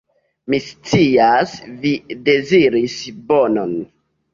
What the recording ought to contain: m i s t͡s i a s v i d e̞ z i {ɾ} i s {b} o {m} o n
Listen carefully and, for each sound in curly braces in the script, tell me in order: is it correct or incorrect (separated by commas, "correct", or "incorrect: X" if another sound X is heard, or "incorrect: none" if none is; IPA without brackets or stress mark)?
correct, correct, incorrect: n